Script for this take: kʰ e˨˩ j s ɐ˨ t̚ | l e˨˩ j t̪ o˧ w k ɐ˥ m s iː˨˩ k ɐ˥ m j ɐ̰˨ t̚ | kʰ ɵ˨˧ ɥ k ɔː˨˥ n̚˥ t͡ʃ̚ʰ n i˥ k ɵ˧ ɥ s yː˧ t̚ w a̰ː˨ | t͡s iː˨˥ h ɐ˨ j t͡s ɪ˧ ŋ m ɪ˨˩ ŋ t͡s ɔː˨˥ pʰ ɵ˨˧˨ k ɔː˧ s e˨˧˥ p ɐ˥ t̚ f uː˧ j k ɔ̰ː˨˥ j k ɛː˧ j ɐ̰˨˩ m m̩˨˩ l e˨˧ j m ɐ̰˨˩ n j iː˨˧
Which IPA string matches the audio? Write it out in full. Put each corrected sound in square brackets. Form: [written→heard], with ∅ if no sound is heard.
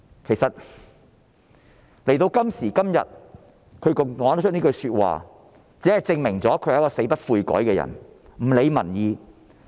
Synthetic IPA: kʰ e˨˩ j s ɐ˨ t̚ | l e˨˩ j t̪ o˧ w k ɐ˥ m s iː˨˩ k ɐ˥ m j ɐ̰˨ t̚ | kʰ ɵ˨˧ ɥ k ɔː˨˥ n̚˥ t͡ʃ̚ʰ n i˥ k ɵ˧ ɥ s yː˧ t̚ w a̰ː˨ | t͡s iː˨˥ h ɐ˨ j t͡s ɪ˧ ŋ m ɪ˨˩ ŋ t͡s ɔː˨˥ [pʰ→kʰ] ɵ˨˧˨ k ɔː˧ s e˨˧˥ p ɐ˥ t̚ f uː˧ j k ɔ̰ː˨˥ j k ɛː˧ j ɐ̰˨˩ [m→n] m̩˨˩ l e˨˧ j m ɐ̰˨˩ n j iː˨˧